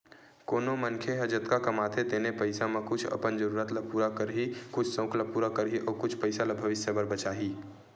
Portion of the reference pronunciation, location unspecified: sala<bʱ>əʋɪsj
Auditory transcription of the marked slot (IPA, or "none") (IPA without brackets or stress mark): bʱ